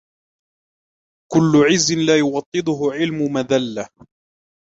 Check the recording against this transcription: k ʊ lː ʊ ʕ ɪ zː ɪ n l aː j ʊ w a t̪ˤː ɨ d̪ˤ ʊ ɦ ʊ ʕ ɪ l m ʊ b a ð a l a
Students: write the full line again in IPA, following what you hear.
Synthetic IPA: k ʊ lː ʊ ʕ ɪ zː ɪ n l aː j ʊ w ɑ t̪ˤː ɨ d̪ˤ ʊ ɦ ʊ ʕ ɪ l m ʊ m a ð a lː a